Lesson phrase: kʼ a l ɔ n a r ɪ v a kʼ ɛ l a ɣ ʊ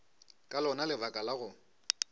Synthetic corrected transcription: kʼ a l ɔ n a l ɪ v a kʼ a l a ɣ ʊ